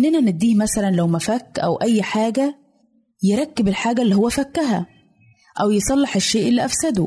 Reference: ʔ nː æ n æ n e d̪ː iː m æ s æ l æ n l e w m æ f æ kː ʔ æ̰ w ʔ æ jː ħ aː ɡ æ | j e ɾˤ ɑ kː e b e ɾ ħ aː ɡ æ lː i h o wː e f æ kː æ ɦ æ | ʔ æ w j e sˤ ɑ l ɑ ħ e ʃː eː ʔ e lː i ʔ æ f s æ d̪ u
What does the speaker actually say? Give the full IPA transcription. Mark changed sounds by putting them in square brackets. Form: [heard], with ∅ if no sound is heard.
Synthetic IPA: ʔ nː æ n æ n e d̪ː iː m æ s æ l æ n l [æ] w m æ f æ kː ʔ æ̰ w ʔ æ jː ħ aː ɡ æ | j e ɾˤ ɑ kː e b e [l] ħ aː ɡ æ lː i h o wː [æ] f æ kː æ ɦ æ | ʔ æ w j e sˤ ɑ [lː] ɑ ħ e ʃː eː ʔ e lː i ʔ æ f s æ d̪ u